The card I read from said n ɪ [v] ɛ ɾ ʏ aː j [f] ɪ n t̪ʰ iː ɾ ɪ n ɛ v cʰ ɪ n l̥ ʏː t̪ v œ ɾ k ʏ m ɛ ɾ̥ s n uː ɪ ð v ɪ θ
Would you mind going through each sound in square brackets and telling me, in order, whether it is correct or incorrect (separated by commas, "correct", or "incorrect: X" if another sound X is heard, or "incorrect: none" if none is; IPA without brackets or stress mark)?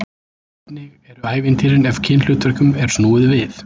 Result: incorrect: ɣ, incorrect: v